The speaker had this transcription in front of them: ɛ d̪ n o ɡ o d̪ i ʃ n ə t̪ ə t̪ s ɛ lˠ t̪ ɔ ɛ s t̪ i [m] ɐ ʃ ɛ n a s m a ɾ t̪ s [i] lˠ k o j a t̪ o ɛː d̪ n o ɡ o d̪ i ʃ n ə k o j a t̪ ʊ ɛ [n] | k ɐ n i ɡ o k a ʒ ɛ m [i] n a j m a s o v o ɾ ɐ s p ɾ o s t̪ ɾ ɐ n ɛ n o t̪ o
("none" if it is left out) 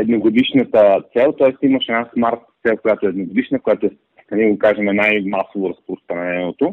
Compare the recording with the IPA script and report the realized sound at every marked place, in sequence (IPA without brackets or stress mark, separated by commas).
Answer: m, ɛ, none, ɛ